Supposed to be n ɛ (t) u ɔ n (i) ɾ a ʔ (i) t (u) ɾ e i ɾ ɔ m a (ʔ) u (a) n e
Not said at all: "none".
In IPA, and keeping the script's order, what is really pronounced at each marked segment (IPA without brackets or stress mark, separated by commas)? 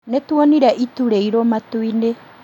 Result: t, i, i, u, t, i